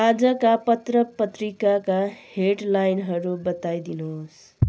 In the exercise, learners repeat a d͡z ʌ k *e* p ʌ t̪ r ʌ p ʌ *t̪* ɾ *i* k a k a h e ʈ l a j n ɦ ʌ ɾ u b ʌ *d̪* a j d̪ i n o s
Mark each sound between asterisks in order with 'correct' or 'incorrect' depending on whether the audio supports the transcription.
incorrect: a, correct, correct, incorrect: t̪

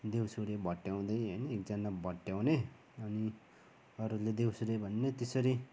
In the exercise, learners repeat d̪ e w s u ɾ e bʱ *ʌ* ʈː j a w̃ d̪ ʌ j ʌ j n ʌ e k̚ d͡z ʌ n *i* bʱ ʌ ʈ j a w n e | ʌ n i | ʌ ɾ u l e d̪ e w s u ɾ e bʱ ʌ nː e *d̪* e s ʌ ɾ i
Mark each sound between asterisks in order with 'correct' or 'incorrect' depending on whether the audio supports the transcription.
correct, incorrect: a, incorrect: t̪

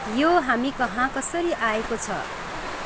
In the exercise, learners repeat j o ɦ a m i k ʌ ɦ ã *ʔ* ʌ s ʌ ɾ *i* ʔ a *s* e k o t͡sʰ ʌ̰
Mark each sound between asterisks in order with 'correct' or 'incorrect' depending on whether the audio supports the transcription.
incorrect: k, correct, incorrect: none

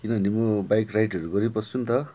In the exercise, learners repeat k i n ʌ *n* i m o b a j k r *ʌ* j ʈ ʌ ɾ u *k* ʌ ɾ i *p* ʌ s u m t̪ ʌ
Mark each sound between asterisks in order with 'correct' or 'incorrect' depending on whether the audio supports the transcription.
correct, incorrect: a, incorrect: ɡ, correct

